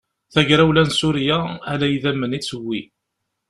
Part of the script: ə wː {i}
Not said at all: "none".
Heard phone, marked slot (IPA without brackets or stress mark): i